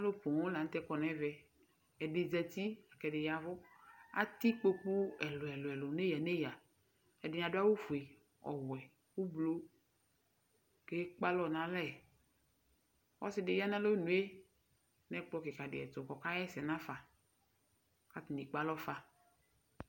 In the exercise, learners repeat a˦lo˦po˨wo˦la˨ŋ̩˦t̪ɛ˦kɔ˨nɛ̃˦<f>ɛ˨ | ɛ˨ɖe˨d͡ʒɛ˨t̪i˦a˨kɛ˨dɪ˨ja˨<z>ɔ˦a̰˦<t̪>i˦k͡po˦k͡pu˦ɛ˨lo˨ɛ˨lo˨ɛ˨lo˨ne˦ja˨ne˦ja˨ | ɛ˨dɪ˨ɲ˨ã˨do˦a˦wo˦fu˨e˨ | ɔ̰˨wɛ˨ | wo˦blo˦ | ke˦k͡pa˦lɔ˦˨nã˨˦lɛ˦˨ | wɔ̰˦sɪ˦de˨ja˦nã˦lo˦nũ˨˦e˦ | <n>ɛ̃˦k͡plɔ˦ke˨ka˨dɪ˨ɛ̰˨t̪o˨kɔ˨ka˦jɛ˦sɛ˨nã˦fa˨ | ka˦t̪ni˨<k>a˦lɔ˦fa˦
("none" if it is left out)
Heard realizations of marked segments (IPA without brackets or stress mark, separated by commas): v, v, t̪, n, k͡p